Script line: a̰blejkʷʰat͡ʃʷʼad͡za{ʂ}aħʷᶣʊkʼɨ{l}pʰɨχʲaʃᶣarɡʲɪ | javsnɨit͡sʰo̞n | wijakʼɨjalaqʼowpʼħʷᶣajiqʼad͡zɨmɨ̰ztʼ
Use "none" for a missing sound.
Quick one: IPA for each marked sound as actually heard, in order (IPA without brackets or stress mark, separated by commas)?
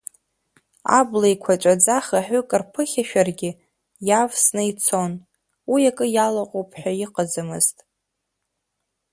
χ, r